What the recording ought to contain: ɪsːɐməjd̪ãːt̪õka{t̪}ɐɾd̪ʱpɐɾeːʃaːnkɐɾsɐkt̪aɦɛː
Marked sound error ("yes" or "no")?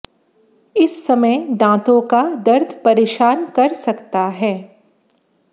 yes